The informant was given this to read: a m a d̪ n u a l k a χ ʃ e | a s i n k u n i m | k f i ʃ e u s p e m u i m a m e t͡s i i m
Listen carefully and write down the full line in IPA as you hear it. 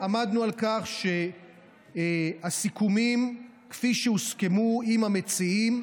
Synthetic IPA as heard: a m a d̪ n u a l k a χ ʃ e | a s i k u m i m | k f i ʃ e u s k e m u i m a m e t͡s i i m